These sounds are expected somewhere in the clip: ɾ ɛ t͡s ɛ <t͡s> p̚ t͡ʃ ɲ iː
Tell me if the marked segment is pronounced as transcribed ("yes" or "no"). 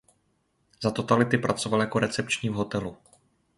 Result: no